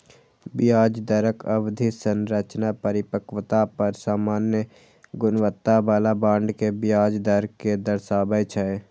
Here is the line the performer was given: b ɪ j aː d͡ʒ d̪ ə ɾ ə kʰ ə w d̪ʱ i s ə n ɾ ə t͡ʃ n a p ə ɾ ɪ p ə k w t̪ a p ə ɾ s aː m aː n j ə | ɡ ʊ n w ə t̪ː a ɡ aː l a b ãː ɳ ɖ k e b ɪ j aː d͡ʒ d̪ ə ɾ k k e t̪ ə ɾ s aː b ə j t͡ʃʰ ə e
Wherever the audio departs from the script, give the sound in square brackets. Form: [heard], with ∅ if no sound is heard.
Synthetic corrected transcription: b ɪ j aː d͡ʒ d̪ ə ɾ ə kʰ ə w d̪ʱ i s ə n ɾ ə t͡ʃ n a p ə ɾ ɪ p ə k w t̪ a p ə ɾ s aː m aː n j ə | ɡ ʊ n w ə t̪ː a [b] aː l a b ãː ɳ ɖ k e b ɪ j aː d͡ʒ d̪ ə ɾ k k e [d̪] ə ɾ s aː b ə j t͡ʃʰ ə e